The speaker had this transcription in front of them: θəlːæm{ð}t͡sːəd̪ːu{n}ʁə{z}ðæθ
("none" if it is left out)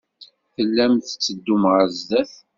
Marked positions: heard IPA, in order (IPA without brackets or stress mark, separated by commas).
θ, m, z